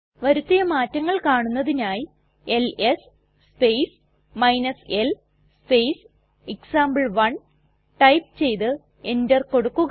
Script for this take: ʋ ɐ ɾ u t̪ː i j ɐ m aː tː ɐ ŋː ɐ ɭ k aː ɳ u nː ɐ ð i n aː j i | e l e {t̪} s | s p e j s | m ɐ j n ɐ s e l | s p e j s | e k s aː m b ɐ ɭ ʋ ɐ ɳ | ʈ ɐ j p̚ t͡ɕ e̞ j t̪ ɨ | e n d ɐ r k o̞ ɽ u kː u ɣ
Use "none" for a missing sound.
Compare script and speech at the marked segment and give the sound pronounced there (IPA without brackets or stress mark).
none